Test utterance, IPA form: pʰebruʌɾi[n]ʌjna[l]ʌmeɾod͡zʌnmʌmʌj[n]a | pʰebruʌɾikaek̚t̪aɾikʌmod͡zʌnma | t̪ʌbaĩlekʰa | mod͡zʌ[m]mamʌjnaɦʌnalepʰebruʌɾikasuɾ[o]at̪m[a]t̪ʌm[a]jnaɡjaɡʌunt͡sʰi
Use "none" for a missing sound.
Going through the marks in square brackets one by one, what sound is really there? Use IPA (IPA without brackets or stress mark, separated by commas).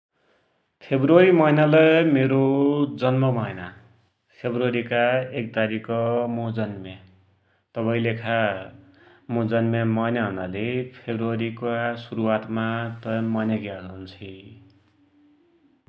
m, l, n, n, u, a, ʌ